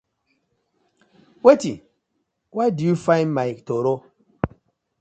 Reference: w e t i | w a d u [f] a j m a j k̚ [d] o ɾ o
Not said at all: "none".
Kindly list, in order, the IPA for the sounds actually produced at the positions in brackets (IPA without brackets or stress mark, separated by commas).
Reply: f, t